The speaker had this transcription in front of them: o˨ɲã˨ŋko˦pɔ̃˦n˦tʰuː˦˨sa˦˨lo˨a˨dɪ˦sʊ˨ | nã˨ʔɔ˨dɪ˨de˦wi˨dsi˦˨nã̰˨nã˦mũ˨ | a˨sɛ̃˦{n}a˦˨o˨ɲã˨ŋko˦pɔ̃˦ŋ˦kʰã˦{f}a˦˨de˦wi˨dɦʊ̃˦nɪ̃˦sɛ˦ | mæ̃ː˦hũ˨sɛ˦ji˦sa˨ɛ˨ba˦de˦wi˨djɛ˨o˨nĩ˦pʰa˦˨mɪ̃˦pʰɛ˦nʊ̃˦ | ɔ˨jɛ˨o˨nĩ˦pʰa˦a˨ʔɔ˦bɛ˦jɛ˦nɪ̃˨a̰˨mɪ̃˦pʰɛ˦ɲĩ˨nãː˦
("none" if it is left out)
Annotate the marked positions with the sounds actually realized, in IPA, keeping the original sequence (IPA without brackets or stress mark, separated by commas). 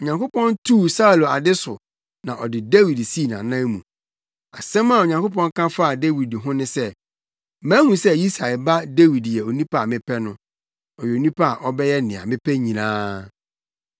m, f